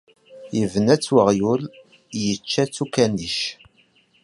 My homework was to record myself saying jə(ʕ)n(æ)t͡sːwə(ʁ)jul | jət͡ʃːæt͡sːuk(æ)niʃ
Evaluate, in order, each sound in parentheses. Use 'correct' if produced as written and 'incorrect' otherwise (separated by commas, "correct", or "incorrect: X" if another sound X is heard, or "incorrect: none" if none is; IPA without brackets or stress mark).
incorrect: v, correct, correct, correct